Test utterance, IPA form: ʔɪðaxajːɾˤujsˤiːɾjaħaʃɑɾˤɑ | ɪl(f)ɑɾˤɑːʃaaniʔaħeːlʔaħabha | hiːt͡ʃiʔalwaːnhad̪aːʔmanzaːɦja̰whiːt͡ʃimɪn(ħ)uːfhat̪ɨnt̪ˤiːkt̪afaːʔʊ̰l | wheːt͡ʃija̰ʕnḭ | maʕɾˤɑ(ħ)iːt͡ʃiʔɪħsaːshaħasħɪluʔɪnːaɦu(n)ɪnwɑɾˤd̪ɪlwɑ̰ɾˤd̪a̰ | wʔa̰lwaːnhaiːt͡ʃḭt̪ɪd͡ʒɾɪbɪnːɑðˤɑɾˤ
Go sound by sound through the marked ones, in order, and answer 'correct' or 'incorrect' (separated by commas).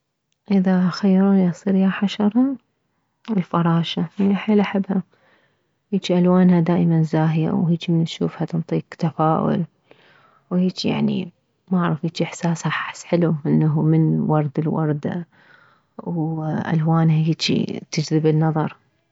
correct, incorrect, incorrect, incorrect